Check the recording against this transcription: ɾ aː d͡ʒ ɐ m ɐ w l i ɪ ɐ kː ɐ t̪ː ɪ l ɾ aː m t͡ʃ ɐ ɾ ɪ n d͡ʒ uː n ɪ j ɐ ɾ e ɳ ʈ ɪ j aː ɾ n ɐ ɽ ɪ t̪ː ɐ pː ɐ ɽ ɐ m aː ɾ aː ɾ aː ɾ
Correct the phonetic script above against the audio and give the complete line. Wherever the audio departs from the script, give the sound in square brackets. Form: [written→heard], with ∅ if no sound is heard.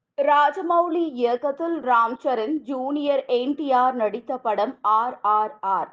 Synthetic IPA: ɾ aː d͡ʒ ɐ m ɐ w l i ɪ ɐ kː ɐ t̪ː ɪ l ɾ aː m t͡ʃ ɐ ɾ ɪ n d͡ʒ uː n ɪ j ɐ ɾ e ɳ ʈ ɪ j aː ɾ n ɐ ɽ ɪ t̪ː ɐ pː ɐ ɽ ɐ m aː ɾ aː ɾ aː ɾ